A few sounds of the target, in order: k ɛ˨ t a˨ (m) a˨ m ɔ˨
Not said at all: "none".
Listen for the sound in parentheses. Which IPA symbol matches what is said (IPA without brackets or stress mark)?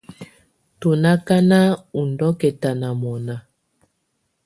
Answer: n